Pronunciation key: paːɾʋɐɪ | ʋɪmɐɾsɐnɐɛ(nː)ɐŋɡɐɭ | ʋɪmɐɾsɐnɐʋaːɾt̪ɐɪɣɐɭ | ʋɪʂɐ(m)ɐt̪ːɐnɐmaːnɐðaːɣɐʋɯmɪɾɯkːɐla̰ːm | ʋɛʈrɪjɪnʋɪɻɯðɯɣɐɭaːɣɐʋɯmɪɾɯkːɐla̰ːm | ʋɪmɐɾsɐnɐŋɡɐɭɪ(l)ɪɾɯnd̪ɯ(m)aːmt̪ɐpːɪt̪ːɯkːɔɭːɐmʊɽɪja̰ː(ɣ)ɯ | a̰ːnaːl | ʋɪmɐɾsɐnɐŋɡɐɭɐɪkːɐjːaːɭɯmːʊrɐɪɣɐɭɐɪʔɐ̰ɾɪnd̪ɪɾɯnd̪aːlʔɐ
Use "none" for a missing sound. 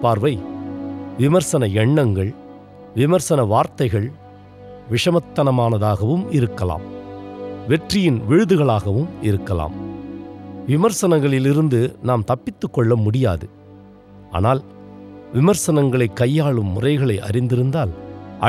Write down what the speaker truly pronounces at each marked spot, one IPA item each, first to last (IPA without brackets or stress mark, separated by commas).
ɳː, m, l, n, ð